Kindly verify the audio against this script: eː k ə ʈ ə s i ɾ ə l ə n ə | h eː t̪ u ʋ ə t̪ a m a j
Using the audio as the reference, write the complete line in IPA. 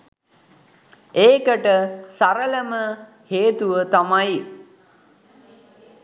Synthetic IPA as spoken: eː k ə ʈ ə s a ɾ ə l ə m ə | h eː t̪ u ʋ ə t̪ a m a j